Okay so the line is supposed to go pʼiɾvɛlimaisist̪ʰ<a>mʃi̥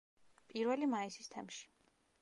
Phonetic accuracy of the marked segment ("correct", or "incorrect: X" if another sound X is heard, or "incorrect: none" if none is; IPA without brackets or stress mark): incorrect: ɛ